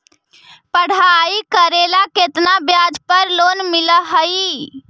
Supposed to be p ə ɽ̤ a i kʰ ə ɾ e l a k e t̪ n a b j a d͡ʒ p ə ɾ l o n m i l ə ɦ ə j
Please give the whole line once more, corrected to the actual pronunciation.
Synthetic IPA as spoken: p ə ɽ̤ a i k ə ɾ e l a k e t̪ n a b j a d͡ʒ p ə ɾ l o n m i l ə ɦ ə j